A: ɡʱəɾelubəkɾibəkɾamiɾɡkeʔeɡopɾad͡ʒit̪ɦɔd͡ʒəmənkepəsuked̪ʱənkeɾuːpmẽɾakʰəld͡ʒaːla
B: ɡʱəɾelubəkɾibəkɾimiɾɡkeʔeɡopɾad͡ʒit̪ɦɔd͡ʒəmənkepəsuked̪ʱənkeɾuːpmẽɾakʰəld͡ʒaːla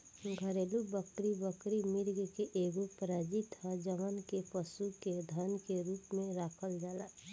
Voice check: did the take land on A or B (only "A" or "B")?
B